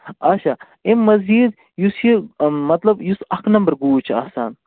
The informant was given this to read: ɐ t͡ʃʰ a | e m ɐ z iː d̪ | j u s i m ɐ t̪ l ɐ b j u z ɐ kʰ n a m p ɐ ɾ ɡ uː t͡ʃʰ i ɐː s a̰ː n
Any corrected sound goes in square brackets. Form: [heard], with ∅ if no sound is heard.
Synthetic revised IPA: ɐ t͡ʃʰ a | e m ɐ z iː d̪ | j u s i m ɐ t̪ l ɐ b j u [s] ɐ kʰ n [ɐ] m [b] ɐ ɾ ɡ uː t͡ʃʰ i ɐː s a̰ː n